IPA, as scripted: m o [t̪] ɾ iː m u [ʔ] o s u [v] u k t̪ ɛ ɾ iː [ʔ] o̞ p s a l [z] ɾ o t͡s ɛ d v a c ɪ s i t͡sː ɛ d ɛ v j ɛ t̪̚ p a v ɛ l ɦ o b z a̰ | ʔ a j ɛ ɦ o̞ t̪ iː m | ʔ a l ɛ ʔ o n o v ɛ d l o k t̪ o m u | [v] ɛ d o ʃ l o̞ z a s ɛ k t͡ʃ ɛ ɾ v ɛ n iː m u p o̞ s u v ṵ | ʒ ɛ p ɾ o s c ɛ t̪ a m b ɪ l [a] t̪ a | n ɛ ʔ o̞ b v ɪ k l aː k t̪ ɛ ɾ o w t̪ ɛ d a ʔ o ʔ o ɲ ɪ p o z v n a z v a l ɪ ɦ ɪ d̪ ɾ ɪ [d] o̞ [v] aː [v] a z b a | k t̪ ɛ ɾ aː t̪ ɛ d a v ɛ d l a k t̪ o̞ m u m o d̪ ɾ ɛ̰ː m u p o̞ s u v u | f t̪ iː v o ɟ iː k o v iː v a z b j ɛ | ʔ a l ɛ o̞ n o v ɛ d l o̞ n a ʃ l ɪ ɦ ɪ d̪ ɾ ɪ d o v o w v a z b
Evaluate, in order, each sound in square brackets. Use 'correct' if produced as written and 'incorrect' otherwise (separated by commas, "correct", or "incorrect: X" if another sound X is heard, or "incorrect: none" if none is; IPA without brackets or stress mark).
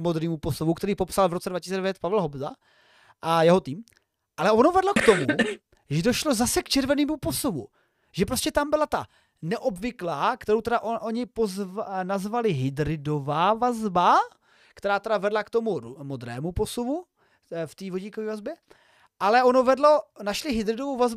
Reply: incorrect: d̪, incorrect: p, correct, incorrect: p, incorrect: v, incorrect: ʒ, correct, correct, correct, correct